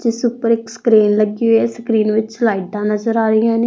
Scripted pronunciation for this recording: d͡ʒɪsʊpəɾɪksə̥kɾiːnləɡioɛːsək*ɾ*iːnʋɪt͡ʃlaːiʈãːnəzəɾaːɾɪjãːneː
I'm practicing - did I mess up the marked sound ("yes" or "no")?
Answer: no